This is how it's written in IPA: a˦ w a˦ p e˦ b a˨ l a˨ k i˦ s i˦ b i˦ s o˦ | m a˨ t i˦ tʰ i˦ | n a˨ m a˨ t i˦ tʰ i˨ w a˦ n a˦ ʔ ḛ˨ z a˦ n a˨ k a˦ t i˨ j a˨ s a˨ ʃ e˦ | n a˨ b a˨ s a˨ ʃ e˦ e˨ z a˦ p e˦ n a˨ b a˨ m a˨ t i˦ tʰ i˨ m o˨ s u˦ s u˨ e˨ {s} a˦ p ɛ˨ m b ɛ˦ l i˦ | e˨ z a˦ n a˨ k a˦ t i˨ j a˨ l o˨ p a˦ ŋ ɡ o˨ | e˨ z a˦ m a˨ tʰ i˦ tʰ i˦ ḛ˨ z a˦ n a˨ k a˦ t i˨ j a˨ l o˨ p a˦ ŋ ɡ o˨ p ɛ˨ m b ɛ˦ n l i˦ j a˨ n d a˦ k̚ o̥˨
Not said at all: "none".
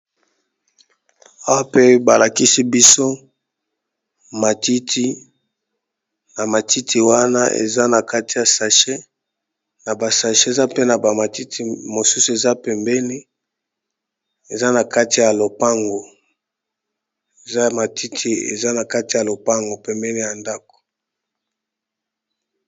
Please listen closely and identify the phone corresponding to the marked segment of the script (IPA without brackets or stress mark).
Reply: z